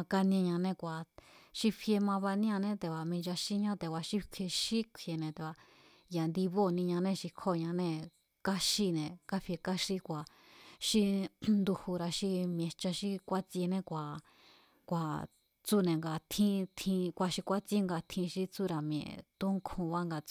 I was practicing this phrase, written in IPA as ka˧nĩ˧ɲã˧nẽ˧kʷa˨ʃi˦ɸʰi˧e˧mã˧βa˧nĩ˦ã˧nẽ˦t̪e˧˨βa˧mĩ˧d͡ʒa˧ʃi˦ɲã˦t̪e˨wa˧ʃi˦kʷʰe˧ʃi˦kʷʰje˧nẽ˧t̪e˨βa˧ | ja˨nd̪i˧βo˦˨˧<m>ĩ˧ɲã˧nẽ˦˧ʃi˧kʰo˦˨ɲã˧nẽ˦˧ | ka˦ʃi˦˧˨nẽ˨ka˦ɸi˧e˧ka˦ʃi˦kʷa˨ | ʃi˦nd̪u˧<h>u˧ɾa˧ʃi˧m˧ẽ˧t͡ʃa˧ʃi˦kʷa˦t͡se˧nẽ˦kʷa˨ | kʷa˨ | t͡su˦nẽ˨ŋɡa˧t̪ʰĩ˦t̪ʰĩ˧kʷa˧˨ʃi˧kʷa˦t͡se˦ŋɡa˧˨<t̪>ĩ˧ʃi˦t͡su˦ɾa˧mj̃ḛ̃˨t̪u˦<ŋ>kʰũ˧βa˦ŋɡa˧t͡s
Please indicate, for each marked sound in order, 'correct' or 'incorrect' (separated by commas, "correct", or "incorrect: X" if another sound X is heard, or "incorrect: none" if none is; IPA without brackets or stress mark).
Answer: incorrect: n, correct, incorrect: t̪ʰ, correct